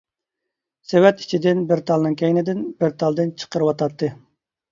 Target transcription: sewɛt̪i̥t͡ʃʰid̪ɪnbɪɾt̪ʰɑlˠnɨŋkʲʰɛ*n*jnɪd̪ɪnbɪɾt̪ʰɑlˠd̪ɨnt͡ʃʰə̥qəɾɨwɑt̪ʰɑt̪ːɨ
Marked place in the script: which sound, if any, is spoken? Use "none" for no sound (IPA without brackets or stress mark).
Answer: none